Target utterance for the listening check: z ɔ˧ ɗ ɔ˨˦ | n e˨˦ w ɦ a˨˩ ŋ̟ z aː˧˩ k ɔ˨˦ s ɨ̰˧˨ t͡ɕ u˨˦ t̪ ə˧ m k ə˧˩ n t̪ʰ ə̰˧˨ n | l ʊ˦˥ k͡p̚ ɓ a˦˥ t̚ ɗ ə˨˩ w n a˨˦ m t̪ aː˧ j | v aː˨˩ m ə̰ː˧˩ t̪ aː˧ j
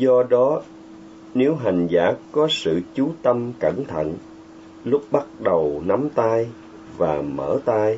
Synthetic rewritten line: z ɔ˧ ɗ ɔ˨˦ | n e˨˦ w ɦ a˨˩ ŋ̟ z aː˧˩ k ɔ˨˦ s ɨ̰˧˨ t͡ɕ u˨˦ t̪ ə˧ m k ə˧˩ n t̪ʰ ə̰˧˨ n | l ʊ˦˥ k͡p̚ ɓ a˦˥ t̚ ɗ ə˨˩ w n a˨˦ m t̪ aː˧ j | v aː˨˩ m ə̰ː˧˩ t̪ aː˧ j